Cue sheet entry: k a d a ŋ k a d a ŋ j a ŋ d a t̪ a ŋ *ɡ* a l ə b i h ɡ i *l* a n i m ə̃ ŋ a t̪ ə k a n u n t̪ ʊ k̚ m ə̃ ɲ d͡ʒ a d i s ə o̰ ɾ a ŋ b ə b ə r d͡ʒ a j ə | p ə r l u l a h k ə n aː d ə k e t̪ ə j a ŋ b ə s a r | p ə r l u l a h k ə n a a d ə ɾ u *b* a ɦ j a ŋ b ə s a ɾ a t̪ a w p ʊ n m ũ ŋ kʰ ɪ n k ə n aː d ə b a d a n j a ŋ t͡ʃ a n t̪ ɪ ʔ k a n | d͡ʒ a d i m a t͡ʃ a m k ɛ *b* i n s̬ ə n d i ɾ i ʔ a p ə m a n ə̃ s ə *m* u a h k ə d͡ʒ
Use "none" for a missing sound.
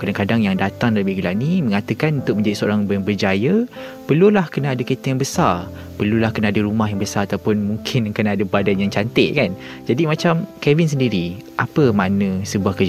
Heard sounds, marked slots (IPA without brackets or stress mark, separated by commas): d, l, m, v, b